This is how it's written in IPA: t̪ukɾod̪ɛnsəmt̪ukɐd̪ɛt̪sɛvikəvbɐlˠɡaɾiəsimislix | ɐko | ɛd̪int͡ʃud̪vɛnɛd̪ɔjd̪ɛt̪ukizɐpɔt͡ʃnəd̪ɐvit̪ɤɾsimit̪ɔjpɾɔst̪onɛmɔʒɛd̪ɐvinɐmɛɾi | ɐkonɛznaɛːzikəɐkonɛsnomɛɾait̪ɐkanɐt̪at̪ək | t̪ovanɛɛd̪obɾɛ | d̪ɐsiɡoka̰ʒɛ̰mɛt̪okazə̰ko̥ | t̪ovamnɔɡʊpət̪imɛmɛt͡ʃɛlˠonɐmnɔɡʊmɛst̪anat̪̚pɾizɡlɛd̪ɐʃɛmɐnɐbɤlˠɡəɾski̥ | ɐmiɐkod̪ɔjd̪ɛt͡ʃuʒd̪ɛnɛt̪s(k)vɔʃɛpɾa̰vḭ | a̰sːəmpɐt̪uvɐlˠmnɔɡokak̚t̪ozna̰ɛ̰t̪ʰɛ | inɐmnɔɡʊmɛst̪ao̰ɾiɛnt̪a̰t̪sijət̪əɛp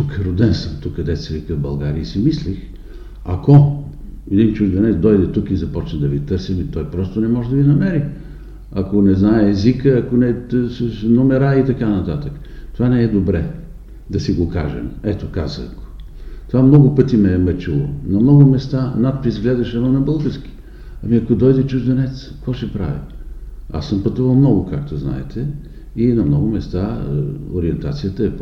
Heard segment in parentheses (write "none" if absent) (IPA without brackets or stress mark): k